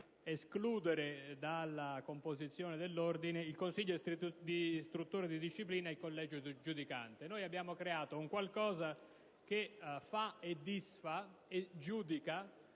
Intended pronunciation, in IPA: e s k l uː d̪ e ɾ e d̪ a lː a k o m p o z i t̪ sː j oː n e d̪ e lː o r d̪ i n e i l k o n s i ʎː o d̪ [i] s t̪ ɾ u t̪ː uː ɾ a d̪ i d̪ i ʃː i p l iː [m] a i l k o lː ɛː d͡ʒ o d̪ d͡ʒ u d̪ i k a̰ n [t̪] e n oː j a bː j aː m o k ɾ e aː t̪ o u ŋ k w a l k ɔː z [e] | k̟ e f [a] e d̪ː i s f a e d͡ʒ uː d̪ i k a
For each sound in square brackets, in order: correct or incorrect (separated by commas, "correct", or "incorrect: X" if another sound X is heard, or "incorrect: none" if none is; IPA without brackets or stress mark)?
correct, incorrect: n, correct, incorrect: a, correct